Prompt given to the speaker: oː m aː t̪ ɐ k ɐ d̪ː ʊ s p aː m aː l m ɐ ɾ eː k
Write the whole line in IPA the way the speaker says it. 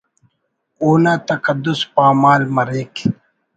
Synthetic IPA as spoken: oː n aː t̪ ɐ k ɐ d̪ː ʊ s p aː m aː l m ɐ ɾ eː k